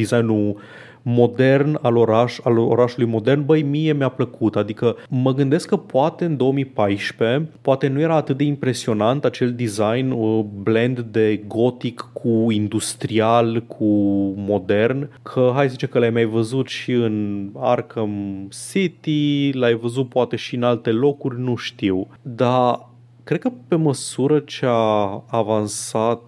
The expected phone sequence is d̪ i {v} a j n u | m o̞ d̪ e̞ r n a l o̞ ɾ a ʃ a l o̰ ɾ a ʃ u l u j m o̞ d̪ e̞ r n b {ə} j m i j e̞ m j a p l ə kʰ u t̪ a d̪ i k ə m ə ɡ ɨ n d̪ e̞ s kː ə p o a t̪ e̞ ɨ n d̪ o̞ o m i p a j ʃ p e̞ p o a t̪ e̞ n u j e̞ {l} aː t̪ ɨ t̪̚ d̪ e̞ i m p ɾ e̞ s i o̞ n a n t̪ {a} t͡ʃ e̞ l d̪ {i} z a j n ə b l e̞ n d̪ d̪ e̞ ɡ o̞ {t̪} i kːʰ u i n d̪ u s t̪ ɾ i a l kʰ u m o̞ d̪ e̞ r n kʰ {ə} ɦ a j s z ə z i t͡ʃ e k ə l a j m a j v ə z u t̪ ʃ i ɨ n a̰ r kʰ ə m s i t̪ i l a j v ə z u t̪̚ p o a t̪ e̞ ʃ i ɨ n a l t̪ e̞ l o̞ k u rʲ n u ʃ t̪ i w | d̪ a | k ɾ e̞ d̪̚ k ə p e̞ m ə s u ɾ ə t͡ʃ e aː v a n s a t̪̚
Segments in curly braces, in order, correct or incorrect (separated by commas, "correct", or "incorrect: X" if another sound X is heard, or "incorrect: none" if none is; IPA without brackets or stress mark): incorrect: z, correct, incorrect: ɾ, correct, correct, correct, correct